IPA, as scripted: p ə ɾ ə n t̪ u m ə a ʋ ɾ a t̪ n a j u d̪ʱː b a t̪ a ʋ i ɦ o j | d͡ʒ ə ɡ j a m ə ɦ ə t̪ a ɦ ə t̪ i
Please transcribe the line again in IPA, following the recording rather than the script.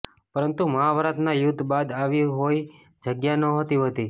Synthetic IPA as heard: p ə ɾ ə n t̪ u m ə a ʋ ɾ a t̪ n a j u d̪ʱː b a d̪ a ʋ i ɦ o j | d͡ʒ ə ɡ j a n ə ɦ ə t̪ i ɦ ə t̪ i

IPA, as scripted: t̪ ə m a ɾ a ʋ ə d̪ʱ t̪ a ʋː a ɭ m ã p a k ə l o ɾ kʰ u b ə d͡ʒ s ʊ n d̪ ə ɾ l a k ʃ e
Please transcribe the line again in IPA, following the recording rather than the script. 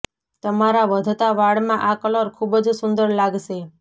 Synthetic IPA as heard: t̪ ə m a ɾ a ʋ ə d̪ʱ t̪ a ʋ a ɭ m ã ʔ a k ə l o ɾ kʰ u b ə d͡ʒ s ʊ n d̪ ə ɾ l a ɡ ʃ e

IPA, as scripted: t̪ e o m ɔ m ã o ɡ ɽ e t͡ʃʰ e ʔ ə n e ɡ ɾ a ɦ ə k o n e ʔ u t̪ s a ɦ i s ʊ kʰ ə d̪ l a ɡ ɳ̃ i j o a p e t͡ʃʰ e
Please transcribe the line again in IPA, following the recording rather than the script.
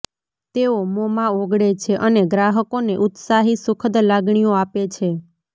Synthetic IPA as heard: t̪ e o m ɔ m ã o ɡ ɽ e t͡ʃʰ e ʔ ə n e ɡ ɾ a ɦ ə k o n e ʔ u t̪ s a ɦ i s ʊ kʰ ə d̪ l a ɡ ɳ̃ i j o a p e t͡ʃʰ e

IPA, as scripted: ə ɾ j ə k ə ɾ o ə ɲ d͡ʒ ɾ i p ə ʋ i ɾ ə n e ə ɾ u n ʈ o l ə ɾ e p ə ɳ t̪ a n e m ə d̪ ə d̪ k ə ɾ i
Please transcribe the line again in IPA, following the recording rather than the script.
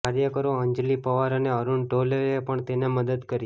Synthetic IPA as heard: a ɾ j ə k ə ɾ o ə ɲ d͡ʒ l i p ə ʋ a ɾ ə n e ə ɾ u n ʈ o l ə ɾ e p ə ɳ t̪ e n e m ə d̪ ə d̪ k ə ɾ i

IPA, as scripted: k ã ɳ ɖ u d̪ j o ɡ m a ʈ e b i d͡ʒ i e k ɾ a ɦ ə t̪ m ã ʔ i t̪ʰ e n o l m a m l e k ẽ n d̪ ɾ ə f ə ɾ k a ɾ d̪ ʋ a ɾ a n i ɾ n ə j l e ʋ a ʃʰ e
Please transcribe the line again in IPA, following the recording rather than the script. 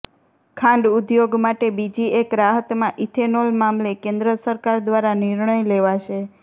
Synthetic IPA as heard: kʰ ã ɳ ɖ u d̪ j o ɡ m a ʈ e b i d͡ʒ i e k ɾ a ɦ ə t̪ m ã ʔ i t̪ʰ e n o l m a m l e k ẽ n d̪ ɾ ə s ə ɾ k a ɾ d̪ ʋ a ɾ a n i ɾ ɳ ə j l e ʋ a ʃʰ e

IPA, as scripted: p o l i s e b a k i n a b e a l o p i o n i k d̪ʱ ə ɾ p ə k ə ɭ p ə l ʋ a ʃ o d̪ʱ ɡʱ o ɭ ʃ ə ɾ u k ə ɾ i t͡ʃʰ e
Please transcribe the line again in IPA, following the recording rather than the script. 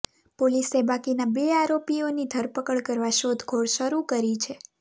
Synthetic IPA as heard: p o l i s e b a k i n a b e a ɾ o p i o n i d̪ʱ ə ɾ p ə k ə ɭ k ə ɾ ʋ a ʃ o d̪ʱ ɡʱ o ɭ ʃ ə ɾ u k ə ɾ i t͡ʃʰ e

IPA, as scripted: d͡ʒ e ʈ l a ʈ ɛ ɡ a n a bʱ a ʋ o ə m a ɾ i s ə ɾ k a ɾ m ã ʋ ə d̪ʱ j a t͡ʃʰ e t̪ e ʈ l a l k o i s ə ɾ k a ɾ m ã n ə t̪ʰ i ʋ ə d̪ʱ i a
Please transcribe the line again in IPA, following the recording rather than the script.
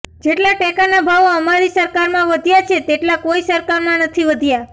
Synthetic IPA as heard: d͡ʒ e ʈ l a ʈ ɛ k a n a bʱ a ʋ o ə m a ɾ i s ə ɾ k a ɾ m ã ʋ ə d̪ʱ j a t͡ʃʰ e t̪ e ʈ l a k o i s ə ɾ k a ɾ m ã n ə t̪ʰ i ʋ ə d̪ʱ j a

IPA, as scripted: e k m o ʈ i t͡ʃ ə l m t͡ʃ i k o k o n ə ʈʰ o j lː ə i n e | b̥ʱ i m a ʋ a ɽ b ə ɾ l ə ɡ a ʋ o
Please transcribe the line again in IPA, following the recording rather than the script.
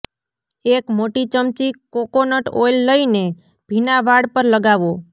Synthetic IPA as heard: e k m o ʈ i t͡ʃ ə m t͡ʃ i k o k o n ə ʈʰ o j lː ə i n e | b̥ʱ i n a ʋ a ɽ p ə ɾ l ə ɡ a ʋ o

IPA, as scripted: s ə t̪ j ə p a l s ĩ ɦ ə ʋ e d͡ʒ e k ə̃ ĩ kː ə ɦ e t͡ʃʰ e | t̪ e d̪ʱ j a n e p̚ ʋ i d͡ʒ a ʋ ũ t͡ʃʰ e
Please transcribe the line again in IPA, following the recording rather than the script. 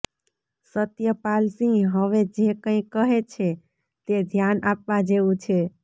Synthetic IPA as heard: s ə t̪ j ə p a l s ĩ ɦ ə ʋ e d͡ʒ e k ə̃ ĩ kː ə ɦ e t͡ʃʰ e | t̪ e d̪ʱ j a n a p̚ ʋ a d͡ʒ e ʋ ũ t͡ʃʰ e

